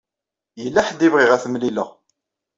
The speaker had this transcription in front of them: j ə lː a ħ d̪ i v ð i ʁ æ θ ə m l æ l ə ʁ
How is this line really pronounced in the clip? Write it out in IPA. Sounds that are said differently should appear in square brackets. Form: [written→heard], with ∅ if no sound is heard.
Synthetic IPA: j ə lː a ħ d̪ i v [ð→ʁ] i ʁ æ θ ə m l [æ→i] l ə ʁ